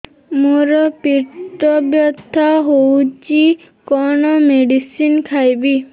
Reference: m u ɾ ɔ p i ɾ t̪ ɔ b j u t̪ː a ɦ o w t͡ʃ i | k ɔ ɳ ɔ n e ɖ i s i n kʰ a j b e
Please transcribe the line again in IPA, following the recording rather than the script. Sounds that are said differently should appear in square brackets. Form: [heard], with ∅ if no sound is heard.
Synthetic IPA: m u ɾ ɔ p i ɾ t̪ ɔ b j [ɔ] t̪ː a ɦ o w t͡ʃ i | k ɔ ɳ ɔ [m] e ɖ i s i n kʰ a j b [i]